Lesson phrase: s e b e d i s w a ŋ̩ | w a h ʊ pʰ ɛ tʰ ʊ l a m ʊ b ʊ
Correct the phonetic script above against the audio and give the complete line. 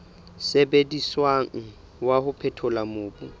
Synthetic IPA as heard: s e b e d i s w a ŋ̩ | w a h ʊ pʰ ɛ tʰ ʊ l a m ʊː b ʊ